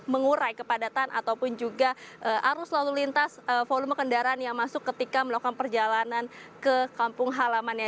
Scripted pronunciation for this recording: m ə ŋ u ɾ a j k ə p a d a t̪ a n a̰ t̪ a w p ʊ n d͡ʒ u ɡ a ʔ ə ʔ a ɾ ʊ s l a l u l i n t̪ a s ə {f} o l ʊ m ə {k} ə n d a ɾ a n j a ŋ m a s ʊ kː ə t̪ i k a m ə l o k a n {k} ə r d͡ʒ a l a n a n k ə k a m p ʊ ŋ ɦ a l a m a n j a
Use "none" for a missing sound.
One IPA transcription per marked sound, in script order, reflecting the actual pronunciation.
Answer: f, k, p

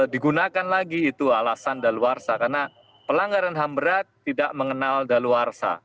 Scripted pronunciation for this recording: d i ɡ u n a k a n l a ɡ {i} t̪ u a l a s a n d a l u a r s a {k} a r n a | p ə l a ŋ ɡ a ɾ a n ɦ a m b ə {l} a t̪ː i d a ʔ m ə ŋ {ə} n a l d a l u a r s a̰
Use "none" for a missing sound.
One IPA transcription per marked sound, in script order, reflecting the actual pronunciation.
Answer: iː, k, ɾ, ə

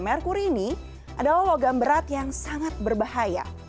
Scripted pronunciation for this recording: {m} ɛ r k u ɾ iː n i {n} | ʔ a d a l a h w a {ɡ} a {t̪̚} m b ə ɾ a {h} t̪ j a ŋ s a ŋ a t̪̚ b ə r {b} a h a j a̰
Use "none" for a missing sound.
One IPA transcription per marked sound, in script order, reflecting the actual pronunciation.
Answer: m, none, ɡ, none, none, b

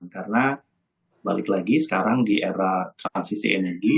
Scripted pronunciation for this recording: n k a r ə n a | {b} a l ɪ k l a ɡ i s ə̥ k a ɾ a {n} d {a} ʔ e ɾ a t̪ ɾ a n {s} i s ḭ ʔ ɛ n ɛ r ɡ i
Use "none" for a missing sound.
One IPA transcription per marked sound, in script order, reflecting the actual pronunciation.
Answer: b, ŋ, i, s

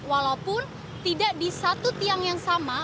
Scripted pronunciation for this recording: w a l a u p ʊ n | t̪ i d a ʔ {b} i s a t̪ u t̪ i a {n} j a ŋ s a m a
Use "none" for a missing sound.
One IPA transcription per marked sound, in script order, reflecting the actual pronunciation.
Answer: d, ŋ

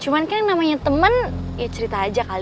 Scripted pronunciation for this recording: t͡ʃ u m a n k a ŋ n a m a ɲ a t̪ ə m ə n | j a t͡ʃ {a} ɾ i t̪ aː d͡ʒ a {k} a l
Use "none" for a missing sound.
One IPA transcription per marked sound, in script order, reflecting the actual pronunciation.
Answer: ə, k

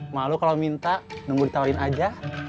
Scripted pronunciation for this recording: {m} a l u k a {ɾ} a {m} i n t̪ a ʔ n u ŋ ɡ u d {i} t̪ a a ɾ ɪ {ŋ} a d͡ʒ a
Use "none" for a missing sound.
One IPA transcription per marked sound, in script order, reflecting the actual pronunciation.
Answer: m, l, m, i, n

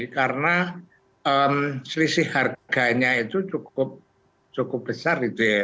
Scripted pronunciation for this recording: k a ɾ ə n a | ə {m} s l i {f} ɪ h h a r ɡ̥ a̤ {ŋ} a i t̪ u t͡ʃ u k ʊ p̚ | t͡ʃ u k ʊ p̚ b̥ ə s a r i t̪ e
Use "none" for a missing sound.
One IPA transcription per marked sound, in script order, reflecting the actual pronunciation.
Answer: m, s, ɲ

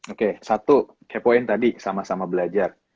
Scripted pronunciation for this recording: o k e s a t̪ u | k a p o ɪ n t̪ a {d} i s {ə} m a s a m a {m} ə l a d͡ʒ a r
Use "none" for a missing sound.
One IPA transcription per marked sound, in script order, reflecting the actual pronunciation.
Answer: d, a, b

